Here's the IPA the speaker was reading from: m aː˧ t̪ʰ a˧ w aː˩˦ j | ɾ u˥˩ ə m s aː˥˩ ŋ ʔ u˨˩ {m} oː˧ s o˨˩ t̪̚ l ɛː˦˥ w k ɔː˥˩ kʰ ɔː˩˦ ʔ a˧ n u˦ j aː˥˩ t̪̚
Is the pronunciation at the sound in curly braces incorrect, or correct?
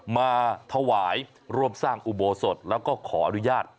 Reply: incorrect